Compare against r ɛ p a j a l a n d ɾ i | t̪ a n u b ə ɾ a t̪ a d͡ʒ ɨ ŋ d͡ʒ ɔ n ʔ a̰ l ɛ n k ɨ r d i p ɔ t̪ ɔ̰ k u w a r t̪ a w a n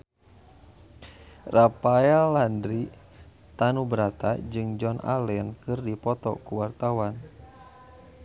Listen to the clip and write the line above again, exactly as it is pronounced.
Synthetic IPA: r a p a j a l a n d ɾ i | t̪ a n u b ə ɾ a t̪ a d͡ʒ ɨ ŋ d͡ʒ ɔ n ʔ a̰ l ɛ n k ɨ r d i p ɔ t̪ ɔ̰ k u w a r t̪ a w a n